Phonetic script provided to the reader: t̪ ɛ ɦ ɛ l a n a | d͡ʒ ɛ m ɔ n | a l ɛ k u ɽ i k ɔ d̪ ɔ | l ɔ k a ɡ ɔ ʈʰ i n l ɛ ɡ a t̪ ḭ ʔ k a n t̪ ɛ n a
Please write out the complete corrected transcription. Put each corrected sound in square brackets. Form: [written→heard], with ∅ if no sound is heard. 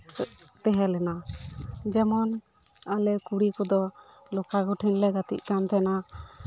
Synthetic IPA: t̪ ɛ ɦ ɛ l [a→ɛ] n a | d͡ʒ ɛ m ɔ n | a l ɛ k u ɽ i k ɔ d̪ ɔ | l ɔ k a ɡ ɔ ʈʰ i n l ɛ ɡ a t̪ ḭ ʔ k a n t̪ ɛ n a